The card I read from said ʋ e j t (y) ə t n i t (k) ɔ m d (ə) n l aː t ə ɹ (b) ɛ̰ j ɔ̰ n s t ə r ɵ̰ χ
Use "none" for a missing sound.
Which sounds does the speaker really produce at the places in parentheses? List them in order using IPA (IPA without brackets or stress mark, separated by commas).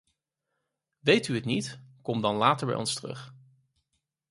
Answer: y, k, ɑ, b